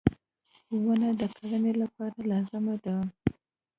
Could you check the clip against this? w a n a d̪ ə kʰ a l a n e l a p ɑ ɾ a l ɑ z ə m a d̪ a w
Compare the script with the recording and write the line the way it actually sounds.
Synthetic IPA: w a n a d̪ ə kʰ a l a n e l a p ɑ ɾ a l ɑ z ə m a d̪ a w